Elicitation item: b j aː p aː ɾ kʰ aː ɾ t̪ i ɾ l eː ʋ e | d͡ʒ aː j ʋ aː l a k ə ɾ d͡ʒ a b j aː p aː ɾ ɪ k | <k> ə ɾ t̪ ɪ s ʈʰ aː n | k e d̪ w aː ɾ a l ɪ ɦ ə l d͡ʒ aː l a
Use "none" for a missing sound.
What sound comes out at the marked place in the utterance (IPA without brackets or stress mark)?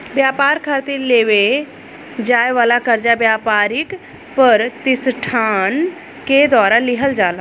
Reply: p